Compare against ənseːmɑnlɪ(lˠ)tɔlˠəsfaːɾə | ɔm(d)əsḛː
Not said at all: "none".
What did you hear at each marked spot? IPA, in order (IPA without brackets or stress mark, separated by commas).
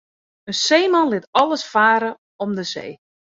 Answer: none, d